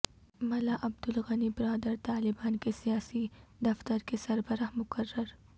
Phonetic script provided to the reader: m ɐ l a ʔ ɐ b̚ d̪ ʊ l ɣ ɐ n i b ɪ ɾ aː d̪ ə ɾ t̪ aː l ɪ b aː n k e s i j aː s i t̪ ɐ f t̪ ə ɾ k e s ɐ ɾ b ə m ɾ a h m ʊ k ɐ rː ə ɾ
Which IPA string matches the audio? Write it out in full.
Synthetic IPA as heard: m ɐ l a ʔ ɐ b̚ d̪ ʊ l ɣ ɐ n i b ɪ ɾ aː d̪ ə ɾ t̪ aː l ɪ b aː n k e s i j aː s i d̪ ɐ f t̪ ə ɾ k e s ɐ ɾ b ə ɾ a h m ʊ k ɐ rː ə ɾ

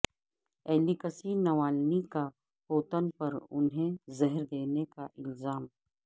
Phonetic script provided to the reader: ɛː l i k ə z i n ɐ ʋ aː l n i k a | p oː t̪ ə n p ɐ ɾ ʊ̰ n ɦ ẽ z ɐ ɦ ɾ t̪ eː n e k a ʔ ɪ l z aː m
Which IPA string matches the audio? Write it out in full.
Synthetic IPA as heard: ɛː l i k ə s i n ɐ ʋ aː l n i k a | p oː t̪ ə n p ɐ ɾ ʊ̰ n ɦ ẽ z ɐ ɦ ɾ d̪ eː n e k a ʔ ɪ l z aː m

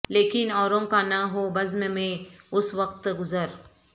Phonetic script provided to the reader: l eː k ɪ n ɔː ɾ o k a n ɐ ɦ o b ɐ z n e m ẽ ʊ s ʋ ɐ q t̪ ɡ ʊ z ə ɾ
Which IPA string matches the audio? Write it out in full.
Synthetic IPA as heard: l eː k ɪ n ɔː ɾ õ k a n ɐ ɦ o b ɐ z m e m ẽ ʊ s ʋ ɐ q t̪ ɡ ʊ z ə ɾ

